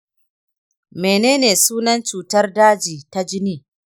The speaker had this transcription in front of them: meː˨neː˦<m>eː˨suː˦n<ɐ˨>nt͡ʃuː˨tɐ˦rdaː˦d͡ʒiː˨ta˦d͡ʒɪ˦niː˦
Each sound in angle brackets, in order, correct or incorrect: incorrect, incorrect

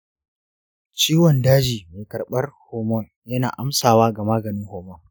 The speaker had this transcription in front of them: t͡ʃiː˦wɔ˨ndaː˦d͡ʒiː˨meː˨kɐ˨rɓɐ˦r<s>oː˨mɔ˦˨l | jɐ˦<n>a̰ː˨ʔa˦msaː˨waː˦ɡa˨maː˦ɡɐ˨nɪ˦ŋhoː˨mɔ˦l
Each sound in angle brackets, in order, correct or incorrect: incorrect, correct

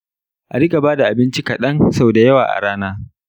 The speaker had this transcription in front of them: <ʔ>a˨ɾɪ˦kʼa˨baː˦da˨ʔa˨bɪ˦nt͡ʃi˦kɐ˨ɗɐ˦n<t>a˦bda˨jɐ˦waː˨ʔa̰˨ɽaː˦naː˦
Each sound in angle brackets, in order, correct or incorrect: correct, incorrect

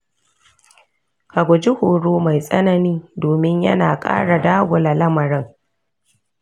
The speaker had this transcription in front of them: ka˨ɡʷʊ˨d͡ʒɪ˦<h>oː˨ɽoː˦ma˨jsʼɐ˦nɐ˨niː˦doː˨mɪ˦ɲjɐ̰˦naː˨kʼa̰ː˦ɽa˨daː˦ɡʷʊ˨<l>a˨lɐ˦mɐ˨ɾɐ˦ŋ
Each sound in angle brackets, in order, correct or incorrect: correct, correct

